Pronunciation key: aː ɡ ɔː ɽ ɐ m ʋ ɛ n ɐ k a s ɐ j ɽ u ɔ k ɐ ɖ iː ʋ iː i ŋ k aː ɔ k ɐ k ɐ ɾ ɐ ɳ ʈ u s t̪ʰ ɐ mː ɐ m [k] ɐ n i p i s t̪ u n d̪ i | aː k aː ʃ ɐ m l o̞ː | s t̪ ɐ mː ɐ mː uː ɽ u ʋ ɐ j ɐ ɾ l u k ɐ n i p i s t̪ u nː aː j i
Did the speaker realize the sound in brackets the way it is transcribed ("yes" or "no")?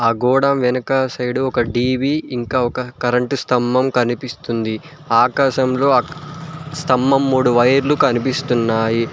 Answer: yes